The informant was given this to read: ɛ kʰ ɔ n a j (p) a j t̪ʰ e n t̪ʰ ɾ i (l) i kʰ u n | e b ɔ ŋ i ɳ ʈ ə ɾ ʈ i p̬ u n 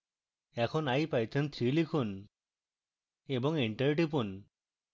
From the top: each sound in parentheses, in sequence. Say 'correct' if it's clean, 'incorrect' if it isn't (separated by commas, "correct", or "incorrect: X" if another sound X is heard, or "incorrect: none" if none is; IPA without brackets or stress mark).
correct, correct